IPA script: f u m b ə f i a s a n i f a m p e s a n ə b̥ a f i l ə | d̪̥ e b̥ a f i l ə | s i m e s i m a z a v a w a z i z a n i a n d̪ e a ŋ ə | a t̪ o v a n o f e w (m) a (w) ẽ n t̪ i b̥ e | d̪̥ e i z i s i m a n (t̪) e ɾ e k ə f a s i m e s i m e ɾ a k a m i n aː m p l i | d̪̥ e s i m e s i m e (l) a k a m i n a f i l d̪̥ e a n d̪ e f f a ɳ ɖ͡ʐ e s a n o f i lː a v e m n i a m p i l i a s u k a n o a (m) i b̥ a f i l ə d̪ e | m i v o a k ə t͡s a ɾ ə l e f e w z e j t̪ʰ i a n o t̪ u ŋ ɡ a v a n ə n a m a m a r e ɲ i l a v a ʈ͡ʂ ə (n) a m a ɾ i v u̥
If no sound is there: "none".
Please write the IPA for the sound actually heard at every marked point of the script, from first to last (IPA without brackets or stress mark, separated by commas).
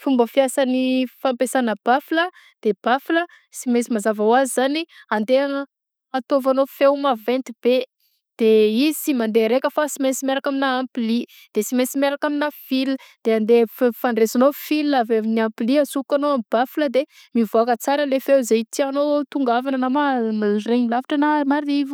m, v, d̪, ɾ, m, n